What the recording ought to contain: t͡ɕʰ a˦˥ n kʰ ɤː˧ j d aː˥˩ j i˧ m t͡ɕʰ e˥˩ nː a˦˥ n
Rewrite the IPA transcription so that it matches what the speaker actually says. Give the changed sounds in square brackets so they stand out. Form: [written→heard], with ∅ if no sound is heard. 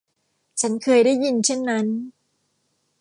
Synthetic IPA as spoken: t͡ɕʰ a˦˥ n kʰ ɤː˧ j d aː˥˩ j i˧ [m→n] t͡ɕʰ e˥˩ nː a˦˥ n